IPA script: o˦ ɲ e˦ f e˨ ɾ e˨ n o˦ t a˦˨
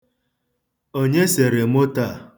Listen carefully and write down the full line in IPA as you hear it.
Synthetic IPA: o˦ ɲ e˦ s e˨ ɾ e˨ m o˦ t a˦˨